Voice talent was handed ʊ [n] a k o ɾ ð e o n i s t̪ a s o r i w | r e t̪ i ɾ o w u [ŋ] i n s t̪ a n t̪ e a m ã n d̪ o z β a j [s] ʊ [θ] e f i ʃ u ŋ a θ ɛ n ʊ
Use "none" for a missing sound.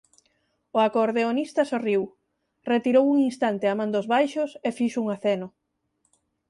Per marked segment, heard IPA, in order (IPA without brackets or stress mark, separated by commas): none, ŋ, ʃ, s